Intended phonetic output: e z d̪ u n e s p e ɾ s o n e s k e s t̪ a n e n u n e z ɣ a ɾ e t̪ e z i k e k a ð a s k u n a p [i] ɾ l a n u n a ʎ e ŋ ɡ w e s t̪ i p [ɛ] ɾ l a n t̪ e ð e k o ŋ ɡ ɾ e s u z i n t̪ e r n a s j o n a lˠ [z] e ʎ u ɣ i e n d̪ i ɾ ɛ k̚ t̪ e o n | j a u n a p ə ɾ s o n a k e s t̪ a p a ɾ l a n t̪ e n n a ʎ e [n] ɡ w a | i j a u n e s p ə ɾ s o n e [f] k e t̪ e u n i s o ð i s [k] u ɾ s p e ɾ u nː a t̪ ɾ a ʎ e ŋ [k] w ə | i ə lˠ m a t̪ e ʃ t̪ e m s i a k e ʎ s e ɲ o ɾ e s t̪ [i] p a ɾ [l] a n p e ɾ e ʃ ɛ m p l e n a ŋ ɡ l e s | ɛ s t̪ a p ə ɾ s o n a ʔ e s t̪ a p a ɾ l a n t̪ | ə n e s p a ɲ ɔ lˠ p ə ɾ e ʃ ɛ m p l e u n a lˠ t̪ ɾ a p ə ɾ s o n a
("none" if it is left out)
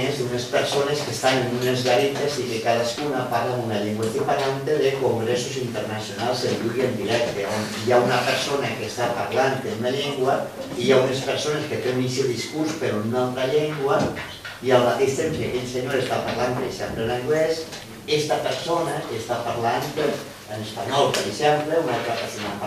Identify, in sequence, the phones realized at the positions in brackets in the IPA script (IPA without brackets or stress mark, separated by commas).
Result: a, a, z, ŋ, s, k, ɡ, a, l